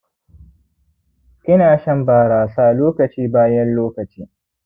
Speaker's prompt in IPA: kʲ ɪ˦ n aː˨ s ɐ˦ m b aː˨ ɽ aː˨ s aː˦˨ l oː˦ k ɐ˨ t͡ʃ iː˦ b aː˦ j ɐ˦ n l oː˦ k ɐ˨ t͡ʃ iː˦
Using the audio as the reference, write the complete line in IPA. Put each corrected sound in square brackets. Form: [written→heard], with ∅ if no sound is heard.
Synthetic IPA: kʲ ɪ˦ n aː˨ [s→ʃ] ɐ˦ m b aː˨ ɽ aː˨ s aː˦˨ l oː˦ k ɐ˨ t͡ʃ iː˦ b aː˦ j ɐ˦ n l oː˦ k ɐ˨ t͡ʃ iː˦